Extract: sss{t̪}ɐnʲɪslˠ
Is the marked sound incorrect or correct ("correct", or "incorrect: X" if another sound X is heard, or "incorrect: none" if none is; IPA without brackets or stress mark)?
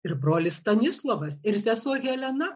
correct